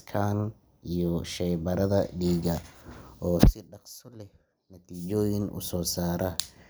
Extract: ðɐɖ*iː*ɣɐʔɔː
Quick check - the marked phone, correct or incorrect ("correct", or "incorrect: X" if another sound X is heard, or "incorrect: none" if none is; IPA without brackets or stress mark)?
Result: correct